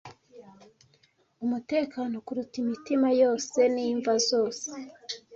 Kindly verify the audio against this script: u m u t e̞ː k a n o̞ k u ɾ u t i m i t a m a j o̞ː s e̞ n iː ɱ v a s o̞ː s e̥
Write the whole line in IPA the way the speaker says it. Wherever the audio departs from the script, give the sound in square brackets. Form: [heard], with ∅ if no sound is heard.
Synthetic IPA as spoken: u m u t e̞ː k a n o̞ k u ɾ u t i m i t [i] m a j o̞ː s e̞ n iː ɱ v a [z] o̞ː s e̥

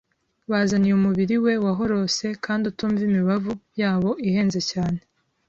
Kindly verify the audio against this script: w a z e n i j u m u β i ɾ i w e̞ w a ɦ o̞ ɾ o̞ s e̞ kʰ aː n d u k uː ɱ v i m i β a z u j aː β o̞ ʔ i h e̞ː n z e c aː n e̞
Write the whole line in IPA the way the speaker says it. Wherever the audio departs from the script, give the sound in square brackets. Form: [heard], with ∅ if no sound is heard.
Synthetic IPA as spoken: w a z [a] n i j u m u β i ɾ i w e̞ w a ɦ o̞ ɾ o̞ s e̞ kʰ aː n d u [t] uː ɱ v i m i β a [v] u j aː β o̞ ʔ i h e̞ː n z e c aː n e̞

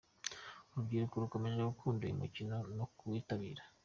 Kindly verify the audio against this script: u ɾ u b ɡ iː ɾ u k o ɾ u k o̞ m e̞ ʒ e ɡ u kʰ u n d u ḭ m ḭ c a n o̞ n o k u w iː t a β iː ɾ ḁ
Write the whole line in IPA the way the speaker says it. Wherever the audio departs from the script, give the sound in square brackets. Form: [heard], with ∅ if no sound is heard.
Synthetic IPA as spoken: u ɾ u b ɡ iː ɾ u k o ɾ u k o̞ m e̞ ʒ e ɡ u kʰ [uː] n d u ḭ m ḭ c [i] n o̞ n o k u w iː t a β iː ɾ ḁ

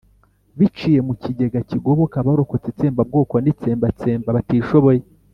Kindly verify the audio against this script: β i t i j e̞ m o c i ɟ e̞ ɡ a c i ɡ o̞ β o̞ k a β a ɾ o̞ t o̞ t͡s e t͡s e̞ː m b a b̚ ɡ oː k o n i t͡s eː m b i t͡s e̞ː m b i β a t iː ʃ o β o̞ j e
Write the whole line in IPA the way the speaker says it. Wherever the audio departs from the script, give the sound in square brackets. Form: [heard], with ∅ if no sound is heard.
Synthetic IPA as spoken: β i [t͡ʃ] i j e̞ m [u] c i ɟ e̞ ɡ a c i ɡ o̞ β o̞ k a β a ɾ o̞ [k] o̞ t͡s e t͡s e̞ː m b a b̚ ɡ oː k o n i t͡s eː m b [a] t͡s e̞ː m b [a] β a t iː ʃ o β o̞ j e

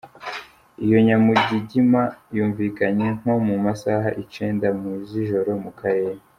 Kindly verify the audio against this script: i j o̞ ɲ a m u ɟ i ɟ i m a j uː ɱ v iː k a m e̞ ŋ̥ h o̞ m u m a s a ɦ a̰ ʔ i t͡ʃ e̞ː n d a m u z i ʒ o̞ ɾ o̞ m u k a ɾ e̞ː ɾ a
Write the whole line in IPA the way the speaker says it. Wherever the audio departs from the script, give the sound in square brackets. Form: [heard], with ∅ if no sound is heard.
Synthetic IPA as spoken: i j o̞ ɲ a m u ɟ i ɟ i m a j uː ɱ v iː k a [ɲ] e̞ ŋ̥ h o̞ m u m a s a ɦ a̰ ʔ i t͡ʃ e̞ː n d a m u z i ʒ o̞ ɾ o̞ m u k a ɾ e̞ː ɾ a

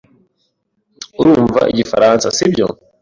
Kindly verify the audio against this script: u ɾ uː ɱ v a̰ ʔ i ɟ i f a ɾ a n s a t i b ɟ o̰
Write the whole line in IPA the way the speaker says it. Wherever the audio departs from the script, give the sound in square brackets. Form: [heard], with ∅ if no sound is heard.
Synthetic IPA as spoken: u ɾ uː ɱ v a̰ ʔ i ɟ i f a ɾ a n s a [s] i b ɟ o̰

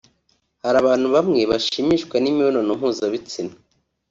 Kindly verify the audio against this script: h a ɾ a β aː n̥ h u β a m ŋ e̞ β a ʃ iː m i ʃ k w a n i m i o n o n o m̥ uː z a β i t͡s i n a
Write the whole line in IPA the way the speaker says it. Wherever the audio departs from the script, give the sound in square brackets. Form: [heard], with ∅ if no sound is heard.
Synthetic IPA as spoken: h a ɾ a β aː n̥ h u β a m ŋ e̞ β a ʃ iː m i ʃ k w a n i m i o n o n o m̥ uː z a β i t͡s i n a

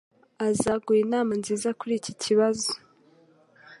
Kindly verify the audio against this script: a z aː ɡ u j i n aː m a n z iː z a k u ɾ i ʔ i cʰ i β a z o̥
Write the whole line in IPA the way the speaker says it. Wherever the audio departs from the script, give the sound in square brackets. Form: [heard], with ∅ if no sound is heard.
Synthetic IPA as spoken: a z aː ɡ u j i n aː m a n z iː z a k u ɾ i [c] i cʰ i β a z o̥

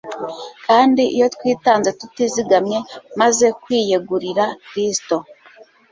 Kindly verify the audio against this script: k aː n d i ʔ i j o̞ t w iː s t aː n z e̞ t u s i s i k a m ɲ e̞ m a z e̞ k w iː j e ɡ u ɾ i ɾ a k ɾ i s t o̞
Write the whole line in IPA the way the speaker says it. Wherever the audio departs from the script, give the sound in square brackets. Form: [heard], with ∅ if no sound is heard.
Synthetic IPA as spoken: k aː n d i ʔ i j o̞ t w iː [∅] t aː n z e̞ t u [t] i [z] i [ɡ] a m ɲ e̞ m a z e̞ k w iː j e ɡ u ɾ i ɾ a k ɾ i s t o̞

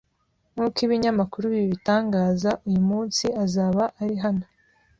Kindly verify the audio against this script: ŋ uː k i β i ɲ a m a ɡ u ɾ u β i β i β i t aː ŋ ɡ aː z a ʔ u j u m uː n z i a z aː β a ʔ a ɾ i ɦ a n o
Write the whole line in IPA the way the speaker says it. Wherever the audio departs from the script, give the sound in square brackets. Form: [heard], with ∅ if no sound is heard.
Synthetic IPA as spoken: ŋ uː k i β i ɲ a m a [k] u ɾ u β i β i β i t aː ŋ ɡ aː z a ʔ u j u m uː n [s] i a z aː β a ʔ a ɾ i ɦ a n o

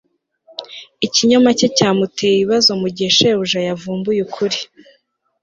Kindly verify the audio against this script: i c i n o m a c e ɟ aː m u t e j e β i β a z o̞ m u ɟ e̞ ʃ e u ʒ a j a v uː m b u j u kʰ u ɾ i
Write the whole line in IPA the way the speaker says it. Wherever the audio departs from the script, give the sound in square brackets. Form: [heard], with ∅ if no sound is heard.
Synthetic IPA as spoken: i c i [ɲ] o m a c e [c] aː m u t e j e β i β a z o̞ m u ɟ e̞ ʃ e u ʒ a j a v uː m b u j u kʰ u ɾ i

